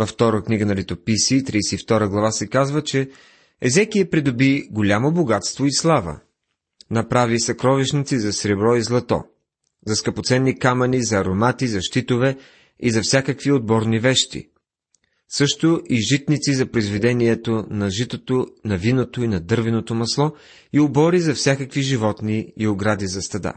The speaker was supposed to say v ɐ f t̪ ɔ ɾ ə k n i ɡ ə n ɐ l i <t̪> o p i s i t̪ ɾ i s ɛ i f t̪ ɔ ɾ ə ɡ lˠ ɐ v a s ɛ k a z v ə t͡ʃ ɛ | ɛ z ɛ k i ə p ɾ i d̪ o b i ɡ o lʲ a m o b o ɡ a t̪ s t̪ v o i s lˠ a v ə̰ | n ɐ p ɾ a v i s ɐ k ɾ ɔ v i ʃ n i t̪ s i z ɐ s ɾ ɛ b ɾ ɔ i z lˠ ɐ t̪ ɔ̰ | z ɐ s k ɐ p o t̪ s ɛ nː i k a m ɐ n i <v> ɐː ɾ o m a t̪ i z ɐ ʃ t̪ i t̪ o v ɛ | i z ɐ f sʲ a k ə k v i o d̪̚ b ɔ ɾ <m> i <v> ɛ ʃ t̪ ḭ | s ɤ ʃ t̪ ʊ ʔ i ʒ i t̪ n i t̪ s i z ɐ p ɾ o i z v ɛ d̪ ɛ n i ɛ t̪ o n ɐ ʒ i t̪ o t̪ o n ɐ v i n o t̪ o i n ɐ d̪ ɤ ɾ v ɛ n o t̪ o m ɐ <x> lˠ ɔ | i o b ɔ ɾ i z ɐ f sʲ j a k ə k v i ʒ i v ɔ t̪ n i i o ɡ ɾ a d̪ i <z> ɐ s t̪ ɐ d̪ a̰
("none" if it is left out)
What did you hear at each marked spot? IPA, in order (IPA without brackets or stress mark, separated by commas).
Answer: t̪, z, n, v, s, z